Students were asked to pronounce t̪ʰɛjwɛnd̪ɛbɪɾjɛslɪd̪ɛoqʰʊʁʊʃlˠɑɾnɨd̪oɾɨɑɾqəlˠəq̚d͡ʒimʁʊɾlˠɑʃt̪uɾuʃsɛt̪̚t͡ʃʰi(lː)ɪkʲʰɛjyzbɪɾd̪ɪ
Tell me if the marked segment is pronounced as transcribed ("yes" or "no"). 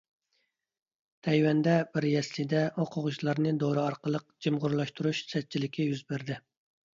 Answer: no